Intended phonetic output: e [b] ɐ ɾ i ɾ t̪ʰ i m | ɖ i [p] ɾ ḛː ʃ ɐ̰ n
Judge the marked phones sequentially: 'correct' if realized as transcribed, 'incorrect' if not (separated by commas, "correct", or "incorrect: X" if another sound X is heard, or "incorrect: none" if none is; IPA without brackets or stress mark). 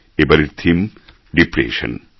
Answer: correct, correct